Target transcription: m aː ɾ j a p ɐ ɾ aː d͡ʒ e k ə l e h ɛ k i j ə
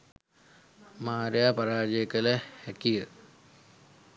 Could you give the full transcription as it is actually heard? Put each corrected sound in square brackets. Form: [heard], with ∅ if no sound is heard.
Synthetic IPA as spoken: m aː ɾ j a p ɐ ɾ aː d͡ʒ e k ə l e h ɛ k i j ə